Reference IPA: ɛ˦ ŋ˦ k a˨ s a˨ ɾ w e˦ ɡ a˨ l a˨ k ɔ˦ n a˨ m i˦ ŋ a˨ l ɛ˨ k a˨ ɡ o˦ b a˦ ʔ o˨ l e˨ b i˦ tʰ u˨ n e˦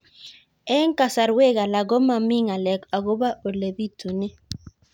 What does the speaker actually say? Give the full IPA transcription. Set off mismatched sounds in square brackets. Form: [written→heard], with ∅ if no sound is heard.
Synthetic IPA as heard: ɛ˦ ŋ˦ k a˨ s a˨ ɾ w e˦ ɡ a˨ l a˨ [k→ɡ] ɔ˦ [n→m] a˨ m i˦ ŋ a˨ l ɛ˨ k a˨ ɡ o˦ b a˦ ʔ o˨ l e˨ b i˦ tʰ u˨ n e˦

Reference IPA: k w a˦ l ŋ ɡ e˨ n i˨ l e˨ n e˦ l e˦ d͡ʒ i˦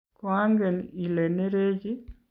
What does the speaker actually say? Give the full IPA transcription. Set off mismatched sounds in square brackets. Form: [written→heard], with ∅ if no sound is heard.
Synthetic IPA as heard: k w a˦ [l→∅] ŋ ɡ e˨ n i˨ l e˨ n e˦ [l→ɾ] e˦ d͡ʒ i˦

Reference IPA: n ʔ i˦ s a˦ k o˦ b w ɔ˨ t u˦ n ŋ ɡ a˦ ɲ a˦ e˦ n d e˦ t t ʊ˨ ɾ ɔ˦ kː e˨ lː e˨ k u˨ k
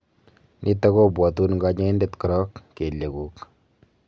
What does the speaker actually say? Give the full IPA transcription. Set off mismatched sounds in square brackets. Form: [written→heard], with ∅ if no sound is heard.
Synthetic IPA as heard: n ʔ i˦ [s→t] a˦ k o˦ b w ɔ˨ t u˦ n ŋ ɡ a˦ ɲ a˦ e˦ n d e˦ t [t→k] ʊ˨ ɾ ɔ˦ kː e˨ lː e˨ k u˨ k

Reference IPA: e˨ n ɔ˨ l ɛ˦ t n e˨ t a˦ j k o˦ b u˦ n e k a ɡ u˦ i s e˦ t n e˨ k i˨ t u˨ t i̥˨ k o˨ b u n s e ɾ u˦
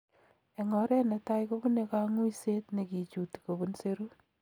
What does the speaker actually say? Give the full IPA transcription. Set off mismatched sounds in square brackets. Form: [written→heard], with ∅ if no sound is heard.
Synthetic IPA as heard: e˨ [n→ŋ] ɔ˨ [l→ɾ] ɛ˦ [t→∅] n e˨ t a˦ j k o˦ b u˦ n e k a [ɡ→ŋ] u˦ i s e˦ t n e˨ k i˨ [t→t͡ʃ] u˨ t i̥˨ k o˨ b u n s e ɾ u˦

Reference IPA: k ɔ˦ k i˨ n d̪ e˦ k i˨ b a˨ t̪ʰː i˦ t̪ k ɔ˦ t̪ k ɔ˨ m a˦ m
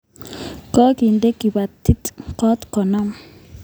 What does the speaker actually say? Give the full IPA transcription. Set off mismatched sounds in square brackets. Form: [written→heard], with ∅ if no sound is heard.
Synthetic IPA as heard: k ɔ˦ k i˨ n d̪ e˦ k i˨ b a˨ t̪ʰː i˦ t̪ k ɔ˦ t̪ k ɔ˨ [m→n] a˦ m

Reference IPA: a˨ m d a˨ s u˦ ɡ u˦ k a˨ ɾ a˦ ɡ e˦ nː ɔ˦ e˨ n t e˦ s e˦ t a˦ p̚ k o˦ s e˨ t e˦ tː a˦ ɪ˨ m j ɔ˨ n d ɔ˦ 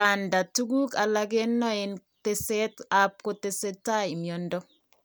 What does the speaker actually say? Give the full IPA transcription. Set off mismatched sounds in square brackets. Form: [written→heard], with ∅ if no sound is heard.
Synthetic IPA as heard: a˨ [m→n] d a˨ [s→t] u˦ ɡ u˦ k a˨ [ɾ→l] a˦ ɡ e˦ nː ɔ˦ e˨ n t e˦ s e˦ t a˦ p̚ k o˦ [s→t] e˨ [t→s] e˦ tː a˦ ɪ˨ m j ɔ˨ n d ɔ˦

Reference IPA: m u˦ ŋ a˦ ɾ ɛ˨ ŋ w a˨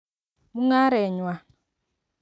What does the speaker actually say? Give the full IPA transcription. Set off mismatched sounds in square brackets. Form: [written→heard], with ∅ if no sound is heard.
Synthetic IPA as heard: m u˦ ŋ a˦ ɾ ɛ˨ [ŋ→ɲ] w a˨

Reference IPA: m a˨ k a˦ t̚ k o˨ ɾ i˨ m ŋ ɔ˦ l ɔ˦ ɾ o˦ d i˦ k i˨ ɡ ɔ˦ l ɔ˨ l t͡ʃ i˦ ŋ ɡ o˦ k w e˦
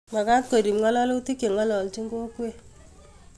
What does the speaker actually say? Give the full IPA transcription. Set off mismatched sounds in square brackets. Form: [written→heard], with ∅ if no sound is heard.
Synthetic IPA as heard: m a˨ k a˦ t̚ k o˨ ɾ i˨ m ŋ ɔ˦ l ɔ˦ [ɾ→l] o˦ [d→t] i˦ k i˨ [ɡ→ŋ] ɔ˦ l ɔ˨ l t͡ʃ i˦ ŋ ɡ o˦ k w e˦

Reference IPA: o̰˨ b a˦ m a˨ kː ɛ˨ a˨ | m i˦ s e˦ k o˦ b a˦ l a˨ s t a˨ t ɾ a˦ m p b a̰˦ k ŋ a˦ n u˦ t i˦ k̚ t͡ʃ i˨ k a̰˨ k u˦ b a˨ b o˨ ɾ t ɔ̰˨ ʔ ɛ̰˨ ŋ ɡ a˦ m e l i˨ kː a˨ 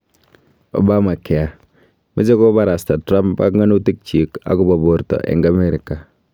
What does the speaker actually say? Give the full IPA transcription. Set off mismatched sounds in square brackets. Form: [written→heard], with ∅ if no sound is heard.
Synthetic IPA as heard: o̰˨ b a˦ m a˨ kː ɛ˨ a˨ | m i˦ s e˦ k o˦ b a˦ [l→ɾ] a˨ s t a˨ t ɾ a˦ m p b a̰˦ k ŋ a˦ n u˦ t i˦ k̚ t͡ʃ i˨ k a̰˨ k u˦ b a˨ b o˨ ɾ t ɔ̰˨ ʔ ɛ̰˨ ŋ ɡ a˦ m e [l→ɾ] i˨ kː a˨

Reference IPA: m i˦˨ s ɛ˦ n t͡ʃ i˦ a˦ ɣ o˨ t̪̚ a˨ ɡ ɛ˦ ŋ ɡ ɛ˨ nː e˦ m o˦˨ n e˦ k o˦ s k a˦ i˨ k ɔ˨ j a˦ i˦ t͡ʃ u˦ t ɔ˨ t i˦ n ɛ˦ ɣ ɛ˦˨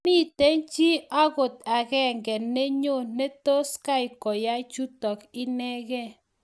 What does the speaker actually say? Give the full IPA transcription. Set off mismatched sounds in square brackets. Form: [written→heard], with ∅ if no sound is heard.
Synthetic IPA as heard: m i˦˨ [s→t] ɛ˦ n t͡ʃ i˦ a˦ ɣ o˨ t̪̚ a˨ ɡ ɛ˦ ŋ ɡ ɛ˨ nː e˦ [m→ɲ] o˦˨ n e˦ [k→t] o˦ s k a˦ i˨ k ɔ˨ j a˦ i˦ t͡ʃ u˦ t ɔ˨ [t→k] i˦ n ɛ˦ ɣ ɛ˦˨

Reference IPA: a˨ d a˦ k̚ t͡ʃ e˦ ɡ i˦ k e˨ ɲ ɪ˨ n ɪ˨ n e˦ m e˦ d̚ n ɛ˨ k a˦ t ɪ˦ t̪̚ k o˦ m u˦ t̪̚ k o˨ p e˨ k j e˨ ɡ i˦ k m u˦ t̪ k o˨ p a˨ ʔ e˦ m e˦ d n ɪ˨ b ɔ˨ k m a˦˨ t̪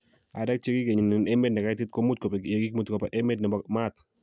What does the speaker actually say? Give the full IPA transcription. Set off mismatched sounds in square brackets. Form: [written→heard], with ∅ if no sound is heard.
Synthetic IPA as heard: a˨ d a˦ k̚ t͡ʃ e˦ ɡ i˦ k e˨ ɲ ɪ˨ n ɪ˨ n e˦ m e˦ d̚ n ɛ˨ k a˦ t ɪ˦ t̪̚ k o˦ m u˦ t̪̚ k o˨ p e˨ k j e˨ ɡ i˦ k m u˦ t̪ k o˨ p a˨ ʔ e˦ m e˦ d n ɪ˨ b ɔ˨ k m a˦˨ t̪

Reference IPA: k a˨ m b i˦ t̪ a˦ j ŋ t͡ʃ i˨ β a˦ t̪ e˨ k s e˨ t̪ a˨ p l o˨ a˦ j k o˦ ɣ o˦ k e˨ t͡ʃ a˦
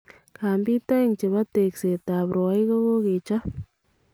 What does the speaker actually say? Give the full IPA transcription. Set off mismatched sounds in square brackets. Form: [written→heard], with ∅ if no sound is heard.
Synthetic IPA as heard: k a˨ m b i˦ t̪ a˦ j ŋ t͡ʃ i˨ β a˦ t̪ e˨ k s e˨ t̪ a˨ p [l→ɾ] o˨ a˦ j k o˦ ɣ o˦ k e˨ t͡ʃ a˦

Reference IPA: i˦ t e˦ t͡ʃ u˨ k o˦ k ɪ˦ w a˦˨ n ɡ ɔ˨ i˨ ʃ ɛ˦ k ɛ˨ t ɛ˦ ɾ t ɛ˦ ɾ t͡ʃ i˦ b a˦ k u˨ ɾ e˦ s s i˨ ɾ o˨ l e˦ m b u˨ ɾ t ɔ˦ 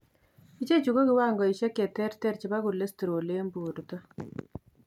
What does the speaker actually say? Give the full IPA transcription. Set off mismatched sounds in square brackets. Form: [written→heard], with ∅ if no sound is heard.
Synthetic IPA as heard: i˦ [t→t͡ʃ] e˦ t͡ʃ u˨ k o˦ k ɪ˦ w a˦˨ [n→ŋ] ɡ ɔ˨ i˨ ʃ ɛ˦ k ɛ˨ t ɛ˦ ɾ t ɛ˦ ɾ t͡ʃ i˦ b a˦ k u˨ [ɾ→l] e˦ s [s→t] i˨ ɾ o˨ l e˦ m b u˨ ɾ t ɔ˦

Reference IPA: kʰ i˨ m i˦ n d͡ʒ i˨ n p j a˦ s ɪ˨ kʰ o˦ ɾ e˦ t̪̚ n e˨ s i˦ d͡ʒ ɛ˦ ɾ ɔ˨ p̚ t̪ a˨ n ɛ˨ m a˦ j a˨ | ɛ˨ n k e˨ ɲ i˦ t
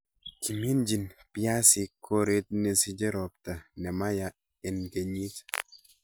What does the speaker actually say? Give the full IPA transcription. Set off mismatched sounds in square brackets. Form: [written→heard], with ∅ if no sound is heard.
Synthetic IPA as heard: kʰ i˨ m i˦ n d͡ʒ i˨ n p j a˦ s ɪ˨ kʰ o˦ ɾ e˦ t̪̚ n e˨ s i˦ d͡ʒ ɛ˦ ɾ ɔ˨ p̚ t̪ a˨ n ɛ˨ m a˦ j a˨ | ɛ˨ n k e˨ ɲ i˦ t

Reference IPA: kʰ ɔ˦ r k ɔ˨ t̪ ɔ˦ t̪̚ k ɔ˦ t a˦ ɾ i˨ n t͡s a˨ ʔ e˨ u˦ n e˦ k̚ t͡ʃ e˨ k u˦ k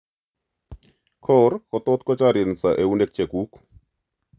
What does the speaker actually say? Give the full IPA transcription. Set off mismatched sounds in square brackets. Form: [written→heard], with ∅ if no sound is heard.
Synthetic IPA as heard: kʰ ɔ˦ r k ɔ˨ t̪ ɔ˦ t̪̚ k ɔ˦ [t→t͡ʃ] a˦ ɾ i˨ n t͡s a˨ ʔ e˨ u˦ n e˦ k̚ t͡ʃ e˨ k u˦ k

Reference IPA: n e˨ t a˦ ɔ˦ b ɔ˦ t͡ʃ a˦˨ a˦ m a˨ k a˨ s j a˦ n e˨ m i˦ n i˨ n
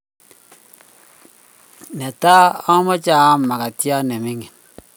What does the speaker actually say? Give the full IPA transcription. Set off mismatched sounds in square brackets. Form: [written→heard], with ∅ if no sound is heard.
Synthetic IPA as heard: n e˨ t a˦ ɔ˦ [b→m] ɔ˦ t͡ʃ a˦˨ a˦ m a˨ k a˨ [s→t] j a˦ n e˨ m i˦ [n→ŋ] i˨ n

